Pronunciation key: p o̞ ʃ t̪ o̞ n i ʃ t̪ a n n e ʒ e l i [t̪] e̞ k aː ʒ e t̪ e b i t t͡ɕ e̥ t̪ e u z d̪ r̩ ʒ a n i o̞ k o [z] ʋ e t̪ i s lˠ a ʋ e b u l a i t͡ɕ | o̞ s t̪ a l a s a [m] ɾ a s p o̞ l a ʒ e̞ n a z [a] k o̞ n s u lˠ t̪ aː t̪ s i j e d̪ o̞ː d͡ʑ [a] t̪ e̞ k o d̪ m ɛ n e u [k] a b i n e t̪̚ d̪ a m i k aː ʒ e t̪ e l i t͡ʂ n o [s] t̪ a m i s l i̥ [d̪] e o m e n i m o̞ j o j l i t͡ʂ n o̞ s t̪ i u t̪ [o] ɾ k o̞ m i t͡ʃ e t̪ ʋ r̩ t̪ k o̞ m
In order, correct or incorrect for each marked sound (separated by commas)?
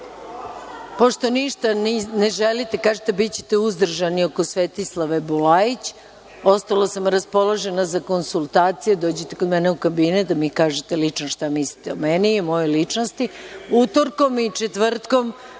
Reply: correct, incorrect, correct, correct, incorrect, correct, incorrect, incorrect, correct